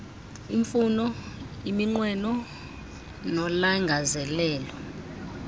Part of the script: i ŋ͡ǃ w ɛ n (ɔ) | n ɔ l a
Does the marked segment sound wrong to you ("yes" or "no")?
no